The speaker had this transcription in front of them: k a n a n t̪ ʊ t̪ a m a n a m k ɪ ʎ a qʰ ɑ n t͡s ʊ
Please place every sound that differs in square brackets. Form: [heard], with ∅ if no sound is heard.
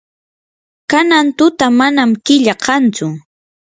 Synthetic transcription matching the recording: k a n a n t̪ ʊ t̪ a m a n a m k ɪ ʎ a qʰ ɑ n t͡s ʊ